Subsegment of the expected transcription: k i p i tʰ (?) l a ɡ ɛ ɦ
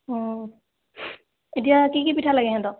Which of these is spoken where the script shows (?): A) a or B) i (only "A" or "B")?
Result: A